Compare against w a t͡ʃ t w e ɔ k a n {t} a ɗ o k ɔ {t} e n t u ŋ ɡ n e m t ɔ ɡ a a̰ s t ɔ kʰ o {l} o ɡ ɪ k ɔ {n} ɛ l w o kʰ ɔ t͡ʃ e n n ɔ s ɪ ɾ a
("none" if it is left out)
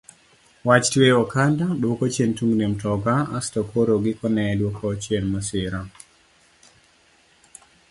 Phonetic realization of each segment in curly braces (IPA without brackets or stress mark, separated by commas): d, t͡ʃ, ɾ, n